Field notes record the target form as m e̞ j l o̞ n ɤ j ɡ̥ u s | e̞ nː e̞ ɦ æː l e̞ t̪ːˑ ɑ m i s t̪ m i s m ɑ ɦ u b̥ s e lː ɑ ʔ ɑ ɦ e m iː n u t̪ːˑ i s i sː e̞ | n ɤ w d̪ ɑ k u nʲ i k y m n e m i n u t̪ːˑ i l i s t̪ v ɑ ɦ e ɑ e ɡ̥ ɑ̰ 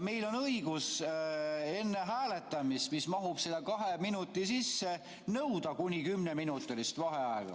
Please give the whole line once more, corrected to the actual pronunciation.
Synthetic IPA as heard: m e̞ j l o̞ n ɤ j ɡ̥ u s | e̞ nː e̞ ɦ æː l e̞ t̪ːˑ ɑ m i s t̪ m i s m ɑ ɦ u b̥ s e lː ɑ k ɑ ɦ e m i n u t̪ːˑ i s i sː e̞ | n ɤ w d̪ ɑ k u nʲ i k y m n e m i n u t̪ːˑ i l i s t̪ v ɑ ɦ e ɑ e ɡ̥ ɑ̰